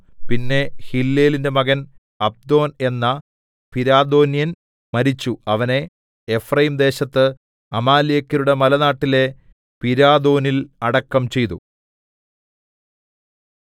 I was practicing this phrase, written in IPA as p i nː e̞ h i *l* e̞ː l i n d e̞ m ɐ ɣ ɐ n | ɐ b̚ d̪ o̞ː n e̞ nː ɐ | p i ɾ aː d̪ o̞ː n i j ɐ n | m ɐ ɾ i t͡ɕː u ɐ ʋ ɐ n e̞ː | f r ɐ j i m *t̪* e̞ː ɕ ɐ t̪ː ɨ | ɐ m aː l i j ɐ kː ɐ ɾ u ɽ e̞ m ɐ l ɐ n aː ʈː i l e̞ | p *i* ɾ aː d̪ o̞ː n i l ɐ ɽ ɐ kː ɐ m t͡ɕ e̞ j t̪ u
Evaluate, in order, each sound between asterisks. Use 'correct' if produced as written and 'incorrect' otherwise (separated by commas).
incorrect, incorrect, correct